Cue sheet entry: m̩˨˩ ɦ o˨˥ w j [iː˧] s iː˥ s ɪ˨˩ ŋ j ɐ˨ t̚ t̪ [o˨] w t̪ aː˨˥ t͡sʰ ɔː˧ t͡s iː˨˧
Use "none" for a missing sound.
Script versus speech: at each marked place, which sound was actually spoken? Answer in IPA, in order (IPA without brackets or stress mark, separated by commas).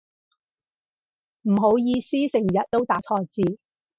iː˧, o˥